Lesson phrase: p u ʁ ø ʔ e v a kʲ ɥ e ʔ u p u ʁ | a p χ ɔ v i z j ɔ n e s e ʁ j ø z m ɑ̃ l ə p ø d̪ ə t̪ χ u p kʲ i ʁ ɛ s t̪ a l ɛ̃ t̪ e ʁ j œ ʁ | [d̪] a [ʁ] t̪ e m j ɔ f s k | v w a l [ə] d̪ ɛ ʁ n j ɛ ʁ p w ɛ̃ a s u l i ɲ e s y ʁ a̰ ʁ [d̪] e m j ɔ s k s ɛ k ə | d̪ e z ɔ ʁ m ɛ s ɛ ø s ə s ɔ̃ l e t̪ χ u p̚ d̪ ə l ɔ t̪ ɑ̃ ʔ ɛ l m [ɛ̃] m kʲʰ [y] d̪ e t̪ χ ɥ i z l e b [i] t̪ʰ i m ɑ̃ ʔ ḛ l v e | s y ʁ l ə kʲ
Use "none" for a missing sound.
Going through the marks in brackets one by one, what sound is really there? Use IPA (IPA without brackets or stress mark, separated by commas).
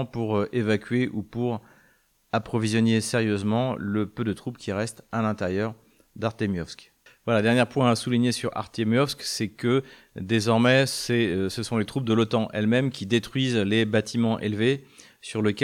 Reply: d̪, ʁ, a, t̪, ɛ, i, a